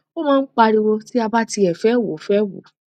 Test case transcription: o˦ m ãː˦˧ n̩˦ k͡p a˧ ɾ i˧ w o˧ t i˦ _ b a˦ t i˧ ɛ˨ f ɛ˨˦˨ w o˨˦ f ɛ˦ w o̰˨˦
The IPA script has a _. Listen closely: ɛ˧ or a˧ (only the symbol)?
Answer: a˧